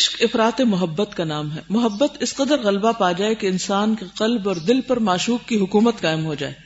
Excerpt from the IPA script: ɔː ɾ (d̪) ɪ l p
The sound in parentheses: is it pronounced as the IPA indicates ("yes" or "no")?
yes